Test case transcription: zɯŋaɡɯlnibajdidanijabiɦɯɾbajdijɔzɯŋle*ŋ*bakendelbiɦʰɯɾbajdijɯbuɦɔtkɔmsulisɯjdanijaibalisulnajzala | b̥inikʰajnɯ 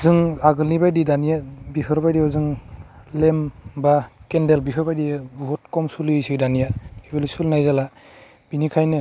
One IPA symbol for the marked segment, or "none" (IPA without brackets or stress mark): m